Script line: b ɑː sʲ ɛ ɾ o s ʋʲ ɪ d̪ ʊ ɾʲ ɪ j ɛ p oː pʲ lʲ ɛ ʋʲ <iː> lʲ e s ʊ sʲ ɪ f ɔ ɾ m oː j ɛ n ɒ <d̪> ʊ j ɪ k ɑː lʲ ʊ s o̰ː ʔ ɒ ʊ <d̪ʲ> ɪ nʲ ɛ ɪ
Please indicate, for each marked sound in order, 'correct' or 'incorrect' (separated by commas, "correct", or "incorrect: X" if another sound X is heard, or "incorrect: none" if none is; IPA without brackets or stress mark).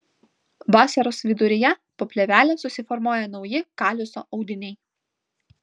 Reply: incorrect: æː, incorrect: none, correct